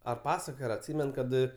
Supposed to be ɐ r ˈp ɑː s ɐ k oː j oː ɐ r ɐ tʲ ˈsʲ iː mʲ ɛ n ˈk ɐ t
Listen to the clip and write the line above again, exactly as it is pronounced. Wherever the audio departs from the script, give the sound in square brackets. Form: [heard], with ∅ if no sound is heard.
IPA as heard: ɐ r ˈp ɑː s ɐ k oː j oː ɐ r ɐ tʲ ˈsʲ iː mʲ ɛ n ˈk ɐ t